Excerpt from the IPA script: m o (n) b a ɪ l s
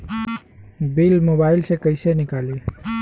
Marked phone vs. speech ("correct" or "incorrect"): incorrect